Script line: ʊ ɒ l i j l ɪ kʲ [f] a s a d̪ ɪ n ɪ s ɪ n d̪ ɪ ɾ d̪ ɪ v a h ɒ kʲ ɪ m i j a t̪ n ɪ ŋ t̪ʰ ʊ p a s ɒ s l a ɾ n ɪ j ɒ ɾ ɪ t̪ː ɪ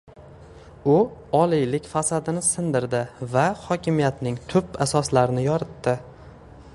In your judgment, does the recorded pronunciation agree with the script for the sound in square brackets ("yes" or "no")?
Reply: yes